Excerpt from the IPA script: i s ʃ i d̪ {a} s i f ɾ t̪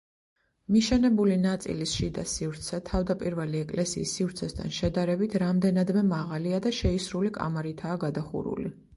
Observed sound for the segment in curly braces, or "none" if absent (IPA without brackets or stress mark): a